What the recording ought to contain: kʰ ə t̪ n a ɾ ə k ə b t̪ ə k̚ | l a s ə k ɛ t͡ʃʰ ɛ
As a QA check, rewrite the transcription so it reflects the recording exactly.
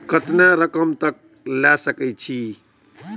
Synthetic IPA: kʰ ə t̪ n a ɾ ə k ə m t̪ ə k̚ | l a s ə k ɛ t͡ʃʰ i

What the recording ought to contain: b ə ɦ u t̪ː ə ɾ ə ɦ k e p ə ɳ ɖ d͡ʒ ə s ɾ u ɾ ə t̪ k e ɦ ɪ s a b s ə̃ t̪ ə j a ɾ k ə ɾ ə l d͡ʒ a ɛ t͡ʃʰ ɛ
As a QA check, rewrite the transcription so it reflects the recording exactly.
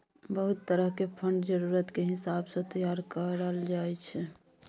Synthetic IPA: b ə ɦ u t̪ː ə ɾ ə ɦ k e pʰ ə ɳ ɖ d͡ʒ ə ɾ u ɾ ə t̪ k e ɦ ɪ s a b s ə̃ t̪ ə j a ɾ k ə ɾ ə l d͡ʒ a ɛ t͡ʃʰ ɛ

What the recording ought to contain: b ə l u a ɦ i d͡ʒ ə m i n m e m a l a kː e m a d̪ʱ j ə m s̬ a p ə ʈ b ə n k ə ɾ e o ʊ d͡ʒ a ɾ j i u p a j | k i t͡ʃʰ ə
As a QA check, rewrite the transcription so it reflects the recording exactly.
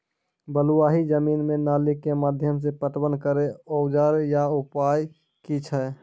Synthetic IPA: b ə l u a ɦ i d͡ʒ ə m i n m e n a l i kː e m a d̪ʱ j ə m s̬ e p ə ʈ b ə n k ə ɾ e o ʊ d͡ʒ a ɾ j a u p a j | k i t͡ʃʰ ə

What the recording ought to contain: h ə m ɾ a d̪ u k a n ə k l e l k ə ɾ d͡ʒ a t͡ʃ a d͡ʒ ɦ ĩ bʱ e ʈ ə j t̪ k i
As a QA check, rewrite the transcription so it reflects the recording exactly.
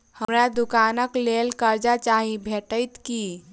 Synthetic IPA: h ə m ɾ a d̪ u k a n ə k l e l k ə ɾ d͡ʒ a t͡ʃ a ɦ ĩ bʱ e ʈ ə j t̪ k i

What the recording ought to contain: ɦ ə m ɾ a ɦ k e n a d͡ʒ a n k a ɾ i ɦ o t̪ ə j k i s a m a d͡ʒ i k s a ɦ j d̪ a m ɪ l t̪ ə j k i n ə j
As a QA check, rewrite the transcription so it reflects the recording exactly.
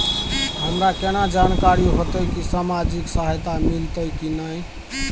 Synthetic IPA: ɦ ə m ɾ a k e n a d͡ʒ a n k a ɾ i ɦ o t̪ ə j k i s a m a d͡ʒ i k s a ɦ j t̪ a m i l t̪ ə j k i n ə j

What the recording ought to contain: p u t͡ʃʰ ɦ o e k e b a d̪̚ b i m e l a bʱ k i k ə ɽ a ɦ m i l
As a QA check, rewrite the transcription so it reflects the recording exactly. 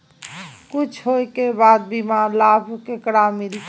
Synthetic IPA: k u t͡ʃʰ ɦ o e k e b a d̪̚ b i m a l a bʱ k e k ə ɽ a m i l

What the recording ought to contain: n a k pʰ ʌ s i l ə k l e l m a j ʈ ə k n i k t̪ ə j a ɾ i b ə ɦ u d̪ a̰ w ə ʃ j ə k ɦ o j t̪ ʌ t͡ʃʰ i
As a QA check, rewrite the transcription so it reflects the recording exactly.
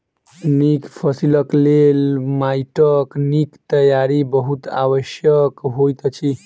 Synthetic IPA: n i k pʰ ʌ s i l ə k l e l m a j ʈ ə k n i k t̪ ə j a ɾ i b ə ɦ u t̪ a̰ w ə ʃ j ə k ɦ o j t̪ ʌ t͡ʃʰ i

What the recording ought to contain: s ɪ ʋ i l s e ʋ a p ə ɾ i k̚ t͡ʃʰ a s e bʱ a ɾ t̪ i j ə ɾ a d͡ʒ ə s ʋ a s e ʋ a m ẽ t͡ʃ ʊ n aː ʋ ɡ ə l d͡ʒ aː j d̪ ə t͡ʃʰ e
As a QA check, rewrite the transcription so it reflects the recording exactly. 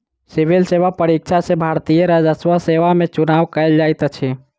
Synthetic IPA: s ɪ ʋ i l s e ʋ a p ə ɾ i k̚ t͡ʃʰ a s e bʱ a ɾ t̪ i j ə ɾ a d͡ʒ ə s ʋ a s e ʋ a m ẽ t͡ʃ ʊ n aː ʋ k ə l d͡ʒ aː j t̪ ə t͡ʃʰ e

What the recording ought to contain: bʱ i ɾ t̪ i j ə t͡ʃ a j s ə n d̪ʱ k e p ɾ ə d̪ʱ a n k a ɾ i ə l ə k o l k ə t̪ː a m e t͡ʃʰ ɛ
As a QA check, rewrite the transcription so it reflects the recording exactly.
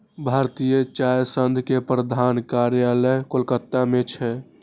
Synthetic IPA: bʱ a ɾ t̪ i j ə t͡ʃ a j s ə n d̪ʱ k e p ɾ ə d̪ʱ a n k a ɾ j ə l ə k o l k ə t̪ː a m e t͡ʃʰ ɛ

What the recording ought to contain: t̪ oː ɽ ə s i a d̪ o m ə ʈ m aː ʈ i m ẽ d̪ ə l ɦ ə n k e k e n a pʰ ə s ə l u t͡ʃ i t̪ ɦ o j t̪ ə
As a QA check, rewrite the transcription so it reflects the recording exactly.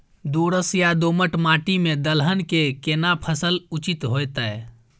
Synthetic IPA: d̪ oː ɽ ə s j a d̪ o m ə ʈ m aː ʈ i m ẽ d̪ ə l ɦ ə n k e k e n a pʰ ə s ə l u t͡ʃ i t̪ ɦ o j t̪ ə

